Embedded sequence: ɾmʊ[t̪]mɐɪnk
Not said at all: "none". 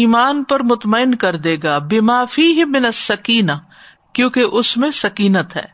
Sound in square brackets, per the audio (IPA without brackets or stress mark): t̪